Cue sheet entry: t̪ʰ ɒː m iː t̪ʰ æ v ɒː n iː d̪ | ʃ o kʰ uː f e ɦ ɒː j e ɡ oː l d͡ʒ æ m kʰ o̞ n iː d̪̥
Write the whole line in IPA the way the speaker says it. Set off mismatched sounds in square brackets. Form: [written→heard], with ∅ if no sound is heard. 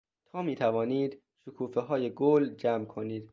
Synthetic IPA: t̪ʰ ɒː m iː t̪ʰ æ v ɒː n iː d̪ | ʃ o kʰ uː f e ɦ ɒː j e ɡ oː l d͡ʒ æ m kʰ o̞ n iː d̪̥